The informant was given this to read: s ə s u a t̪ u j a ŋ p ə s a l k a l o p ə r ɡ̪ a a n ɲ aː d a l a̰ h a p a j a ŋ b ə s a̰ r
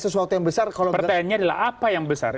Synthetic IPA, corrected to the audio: s ə s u a t̪ u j a ŋ b ə s a r k a l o p ə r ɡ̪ a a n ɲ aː d a l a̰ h a p a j a ŋ b ə s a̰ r